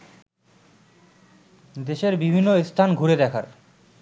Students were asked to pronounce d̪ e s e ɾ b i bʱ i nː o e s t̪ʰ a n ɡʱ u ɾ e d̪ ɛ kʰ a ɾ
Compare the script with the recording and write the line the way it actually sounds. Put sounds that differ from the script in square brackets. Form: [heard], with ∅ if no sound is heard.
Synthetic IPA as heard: d̪ e [ʃ] e ɾ b i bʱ i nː o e s t̪ʰ a n ɡʱ u ɾ e d̪ ɛ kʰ a ɾ